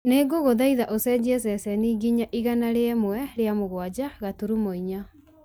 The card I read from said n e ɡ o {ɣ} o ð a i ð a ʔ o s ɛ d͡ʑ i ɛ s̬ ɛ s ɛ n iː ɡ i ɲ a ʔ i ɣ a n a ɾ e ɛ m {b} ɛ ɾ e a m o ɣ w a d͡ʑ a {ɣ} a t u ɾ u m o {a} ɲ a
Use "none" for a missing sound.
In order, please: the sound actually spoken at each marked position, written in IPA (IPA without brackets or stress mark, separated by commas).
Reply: ɣ, w, ɣ, i